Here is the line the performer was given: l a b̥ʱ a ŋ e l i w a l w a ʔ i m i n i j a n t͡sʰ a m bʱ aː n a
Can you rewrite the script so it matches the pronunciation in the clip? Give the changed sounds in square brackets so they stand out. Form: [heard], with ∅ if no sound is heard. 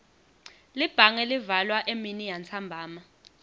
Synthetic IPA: l [i] b̥ʱ a ŋ [ɛ] l i [v] a l w a ʔ [e] m i n i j a n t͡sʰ a m bʱ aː [m] a